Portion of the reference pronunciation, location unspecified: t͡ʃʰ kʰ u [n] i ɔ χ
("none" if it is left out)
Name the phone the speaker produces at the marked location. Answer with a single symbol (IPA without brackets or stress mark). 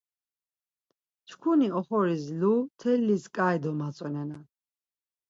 n